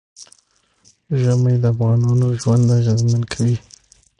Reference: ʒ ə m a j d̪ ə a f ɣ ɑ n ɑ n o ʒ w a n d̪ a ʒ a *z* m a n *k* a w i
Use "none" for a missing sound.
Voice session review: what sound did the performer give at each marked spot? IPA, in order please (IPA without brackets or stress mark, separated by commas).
z, kʰ